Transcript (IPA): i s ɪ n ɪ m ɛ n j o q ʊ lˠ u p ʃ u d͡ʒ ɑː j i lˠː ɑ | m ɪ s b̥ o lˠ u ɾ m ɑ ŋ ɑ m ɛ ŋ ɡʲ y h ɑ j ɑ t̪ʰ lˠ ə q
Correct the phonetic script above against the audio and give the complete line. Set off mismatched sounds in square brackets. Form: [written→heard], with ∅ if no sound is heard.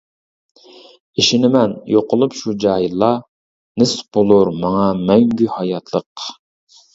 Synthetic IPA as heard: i [s→ʃ] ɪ n ɪ m ɛ n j o q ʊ lˠ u p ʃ u d͡ʒ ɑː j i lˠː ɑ | [m→n] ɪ s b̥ o lˠ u ɾ m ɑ ŋ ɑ m ɛ ŋ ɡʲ y h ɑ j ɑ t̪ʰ lˠ ə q